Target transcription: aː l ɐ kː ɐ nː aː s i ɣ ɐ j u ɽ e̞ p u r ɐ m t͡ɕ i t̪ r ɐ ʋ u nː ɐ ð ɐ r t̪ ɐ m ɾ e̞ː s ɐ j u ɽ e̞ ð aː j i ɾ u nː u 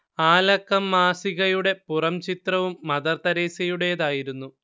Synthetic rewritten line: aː l ɐ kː ɐ mː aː s i ɣ ɐ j u ɽ e̞ p u r ɐ m t͡ɕ i t̪ r ɐ ʋ u mː ɐ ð ɐ r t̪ ɐ ɾ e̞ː s ɐ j u ɽ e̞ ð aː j i ɾ u nː u